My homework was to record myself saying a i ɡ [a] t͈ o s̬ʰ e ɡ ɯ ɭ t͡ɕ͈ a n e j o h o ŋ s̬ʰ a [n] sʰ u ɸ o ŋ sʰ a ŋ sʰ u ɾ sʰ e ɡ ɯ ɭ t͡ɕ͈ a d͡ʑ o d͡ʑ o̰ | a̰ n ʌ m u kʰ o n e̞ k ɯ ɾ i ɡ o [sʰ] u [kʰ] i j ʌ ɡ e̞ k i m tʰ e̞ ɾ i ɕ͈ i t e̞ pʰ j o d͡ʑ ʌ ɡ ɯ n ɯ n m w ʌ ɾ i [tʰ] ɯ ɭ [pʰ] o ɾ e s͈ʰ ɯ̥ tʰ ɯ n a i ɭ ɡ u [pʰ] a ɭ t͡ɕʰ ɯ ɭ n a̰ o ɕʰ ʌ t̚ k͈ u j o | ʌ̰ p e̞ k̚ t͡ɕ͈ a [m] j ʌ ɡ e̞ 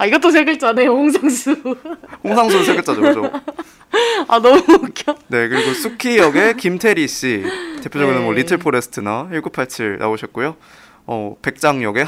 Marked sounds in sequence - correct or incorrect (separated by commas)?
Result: incorrect, incorrect, correct, correct, correct, correct, correct, incorrect